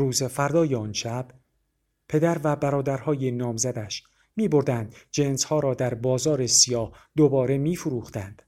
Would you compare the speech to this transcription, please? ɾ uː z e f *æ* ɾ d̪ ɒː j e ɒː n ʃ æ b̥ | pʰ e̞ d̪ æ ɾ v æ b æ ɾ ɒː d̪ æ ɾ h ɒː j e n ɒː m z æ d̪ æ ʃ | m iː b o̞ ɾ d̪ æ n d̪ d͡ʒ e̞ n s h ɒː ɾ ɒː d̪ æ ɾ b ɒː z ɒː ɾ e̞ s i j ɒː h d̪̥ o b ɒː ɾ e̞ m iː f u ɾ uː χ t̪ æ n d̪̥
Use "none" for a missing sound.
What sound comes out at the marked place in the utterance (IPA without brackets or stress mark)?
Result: æ